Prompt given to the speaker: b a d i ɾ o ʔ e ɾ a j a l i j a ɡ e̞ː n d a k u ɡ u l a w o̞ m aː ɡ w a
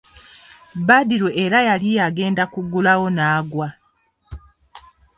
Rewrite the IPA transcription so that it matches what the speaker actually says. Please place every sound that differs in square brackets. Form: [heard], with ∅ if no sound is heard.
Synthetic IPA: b a d i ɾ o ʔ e ɾ a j a l i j a ɡ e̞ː n d a k u ɡ u l a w o̞ [n] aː ɡ w a